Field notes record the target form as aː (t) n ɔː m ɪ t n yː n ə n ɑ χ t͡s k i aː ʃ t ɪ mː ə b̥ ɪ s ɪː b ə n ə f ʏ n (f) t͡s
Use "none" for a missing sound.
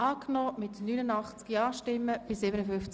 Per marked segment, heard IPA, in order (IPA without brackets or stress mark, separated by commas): k, f